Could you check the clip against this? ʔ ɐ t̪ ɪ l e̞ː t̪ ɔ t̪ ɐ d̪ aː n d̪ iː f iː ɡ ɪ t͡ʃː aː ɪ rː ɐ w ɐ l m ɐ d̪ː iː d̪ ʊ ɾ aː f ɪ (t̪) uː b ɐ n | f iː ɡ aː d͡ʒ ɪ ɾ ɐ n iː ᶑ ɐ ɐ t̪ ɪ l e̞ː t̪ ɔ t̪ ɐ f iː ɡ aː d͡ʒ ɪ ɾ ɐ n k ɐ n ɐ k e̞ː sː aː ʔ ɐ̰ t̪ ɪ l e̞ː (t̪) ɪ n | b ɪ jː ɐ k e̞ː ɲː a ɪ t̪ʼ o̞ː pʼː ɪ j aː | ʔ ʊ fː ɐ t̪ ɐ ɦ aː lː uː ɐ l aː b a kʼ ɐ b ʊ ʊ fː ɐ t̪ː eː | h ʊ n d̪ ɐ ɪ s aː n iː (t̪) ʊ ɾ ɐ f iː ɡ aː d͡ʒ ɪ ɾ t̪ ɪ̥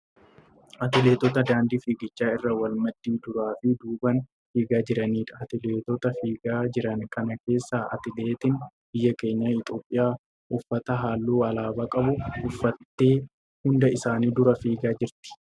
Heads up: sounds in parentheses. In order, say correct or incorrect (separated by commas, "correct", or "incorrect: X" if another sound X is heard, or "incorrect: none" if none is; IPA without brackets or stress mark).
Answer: incorrect: d̪, correct, incorrect: d̪